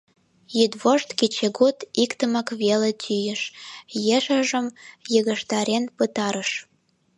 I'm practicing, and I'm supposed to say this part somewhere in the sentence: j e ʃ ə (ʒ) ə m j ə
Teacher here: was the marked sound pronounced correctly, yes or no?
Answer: yes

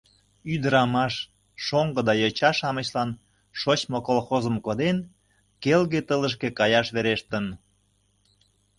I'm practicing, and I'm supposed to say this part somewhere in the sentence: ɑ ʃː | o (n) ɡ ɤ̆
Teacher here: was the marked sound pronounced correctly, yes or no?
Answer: no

